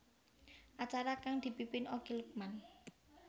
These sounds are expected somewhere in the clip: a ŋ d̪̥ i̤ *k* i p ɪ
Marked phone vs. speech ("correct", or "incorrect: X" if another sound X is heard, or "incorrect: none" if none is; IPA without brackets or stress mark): incorrect: p